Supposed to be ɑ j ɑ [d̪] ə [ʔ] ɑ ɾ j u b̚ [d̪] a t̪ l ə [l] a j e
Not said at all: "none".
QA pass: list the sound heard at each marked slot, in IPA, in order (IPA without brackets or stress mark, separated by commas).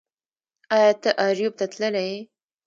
t̪, ʔ, t̪, l